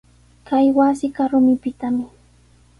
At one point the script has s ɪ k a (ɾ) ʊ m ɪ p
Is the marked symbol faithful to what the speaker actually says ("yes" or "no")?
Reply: yes